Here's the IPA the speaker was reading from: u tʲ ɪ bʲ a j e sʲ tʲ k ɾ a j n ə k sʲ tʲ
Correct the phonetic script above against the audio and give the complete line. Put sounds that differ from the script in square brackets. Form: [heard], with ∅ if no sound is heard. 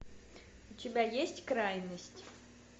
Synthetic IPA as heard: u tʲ ɪ bʲ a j e sʲ tʲ k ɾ a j n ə [∅] sʲ tʲ